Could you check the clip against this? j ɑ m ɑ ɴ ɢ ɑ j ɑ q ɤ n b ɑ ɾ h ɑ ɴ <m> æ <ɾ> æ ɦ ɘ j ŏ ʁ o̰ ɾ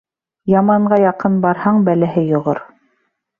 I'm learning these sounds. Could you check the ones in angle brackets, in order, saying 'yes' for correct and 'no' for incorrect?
no, no

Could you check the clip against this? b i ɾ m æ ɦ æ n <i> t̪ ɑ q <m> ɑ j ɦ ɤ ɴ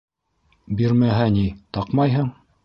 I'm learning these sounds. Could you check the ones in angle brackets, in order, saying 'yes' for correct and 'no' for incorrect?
yes, yes

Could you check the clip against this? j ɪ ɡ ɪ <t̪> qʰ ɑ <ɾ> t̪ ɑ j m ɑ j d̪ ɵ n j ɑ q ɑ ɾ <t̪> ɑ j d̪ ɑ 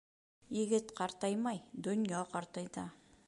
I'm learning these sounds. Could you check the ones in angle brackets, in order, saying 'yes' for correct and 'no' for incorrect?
yes, yes, yes

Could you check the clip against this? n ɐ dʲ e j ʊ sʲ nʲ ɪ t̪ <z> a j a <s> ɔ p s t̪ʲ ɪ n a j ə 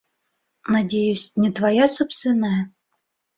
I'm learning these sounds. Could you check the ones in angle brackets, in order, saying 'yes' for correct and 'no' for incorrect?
no, yes

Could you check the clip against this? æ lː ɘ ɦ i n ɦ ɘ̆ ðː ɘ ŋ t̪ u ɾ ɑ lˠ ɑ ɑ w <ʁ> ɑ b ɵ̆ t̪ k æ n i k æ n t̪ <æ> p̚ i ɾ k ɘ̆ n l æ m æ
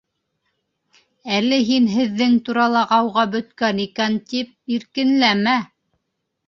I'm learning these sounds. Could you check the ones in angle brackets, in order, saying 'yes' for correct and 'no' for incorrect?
yes, no

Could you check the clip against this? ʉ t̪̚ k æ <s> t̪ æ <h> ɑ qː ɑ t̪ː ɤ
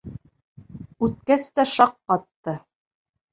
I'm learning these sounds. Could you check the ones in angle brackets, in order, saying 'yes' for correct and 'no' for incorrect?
yes, no

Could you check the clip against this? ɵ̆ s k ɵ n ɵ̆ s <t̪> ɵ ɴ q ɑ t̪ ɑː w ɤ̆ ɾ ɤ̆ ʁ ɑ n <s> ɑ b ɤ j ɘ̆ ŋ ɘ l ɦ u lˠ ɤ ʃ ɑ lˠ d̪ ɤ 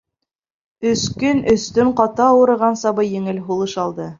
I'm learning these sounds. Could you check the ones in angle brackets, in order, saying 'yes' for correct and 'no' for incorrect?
yes, yes

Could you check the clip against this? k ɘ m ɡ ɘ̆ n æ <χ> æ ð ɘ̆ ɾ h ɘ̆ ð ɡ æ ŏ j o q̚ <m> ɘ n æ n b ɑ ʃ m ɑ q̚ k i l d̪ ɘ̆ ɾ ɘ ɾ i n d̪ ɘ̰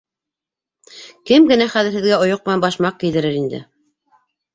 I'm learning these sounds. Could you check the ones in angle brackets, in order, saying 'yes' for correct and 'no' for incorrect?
yes, yes

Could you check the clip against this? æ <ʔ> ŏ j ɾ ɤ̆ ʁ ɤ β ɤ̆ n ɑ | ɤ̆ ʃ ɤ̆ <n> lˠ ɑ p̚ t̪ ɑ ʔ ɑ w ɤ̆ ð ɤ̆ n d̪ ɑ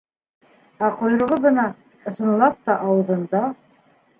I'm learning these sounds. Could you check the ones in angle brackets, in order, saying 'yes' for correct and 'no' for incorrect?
no, yes

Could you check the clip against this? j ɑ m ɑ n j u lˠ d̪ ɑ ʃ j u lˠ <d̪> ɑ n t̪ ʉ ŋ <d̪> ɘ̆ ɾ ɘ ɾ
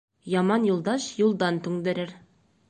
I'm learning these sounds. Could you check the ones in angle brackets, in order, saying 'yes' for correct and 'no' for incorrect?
yes, yes

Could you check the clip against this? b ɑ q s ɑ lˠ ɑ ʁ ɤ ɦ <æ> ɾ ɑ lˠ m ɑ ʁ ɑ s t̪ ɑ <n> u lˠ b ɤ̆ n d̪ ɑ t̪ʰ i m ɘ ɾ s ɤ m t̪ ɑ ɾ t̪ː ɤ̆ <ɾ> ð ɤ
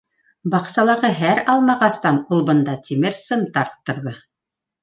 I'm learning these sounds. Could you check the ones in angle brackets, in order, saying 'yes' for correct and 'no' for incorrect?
yes, yes, yes

